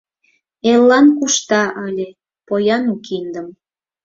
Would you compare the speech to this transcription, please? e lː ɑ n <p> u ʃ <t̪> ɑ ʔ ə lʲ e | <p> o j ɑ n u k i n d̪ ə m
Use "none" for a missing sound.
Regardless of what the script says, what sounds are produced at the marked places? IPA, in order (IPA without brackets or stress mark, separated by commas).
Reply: k, t̪, p